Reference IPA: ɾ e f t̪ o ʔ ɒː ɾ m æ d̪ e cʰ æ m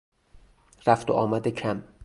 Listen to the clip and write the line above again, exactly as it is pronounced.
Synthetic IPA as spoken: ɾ æ f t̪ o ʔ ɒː m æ d̪ e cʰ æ m